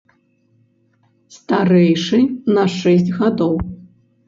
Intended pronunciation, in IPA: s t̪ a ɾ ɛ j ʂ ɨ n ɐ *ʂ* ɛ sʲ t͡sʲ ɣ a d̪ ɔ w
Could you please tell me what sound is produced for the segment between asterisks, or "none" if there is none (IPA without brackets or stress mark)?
ʂ